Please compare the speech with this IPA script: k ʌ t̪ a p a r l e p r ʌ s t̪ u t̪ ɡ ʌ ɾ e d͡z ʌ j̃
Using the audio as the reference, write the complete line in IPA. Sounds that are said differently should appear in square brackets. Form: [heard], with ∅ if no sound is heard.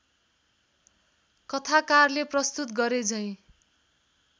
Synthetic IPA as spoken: k ʌ [t̪ʰ] a [k] a r l e p r ʌ s t̪ u t̪ ɡ ʌ ɾ e d͡z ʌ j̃